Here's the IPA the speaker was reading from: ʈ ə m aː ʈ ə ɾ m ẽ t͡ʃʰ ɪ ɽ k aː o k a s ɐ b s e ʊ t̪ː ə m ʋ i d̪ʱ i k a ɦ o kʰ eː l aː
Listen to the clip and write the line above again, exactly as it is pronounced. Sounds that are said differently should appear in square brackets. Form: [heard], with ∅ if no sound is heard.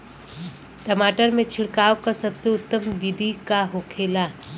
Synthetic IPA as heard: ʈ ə m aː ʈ ə ɾ m ẽ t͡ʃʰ ɪ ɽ k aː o k a s ɐ b s e ʊ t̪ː ə m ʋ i d̪ʱ i k a ɦ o kʰ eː l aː